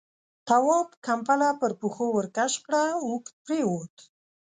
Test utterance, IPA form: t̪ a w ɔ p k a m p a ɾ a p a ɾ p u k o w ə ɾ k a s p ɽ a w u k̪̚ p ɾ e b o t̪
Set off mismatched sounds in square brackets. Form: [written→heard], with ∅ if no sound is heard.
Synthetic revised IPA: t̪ a w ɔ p k a m p a [ɾ→l] a p [a→ə] ɾ p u [k→x] o w ə ɾ k a [s→ʃ] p ɽ a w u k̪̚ p ɾ e [b→w] o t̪